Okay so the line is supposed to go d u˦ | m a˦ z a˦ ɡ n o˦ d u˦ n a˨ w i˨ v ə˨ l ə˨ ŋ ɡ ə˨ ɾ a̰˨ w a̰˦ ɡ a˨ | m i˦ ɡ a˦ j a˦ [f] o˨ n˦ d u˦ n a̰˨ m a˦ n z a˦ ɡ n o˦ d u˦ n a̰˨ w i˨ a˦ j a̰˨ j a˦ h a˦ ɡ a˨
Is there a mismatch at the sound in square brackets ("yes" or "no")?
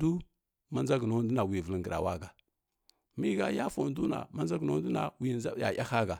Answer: no